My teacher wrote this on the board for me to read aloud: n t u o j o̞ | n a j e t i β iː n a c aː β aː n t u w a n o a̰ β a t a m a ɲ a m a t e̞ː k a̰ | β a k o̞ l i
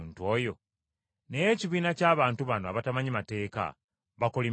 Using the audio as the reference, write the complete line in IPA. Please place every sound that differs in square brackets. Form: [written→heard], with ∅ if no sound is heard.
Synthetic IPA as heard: n t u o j o̞ | n [a→e] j e [t→c] i β iː n a c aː β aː n t u [w→β] a n o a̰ β a t a m a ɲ [a→i] m a t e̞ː k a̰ | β a k o̞ l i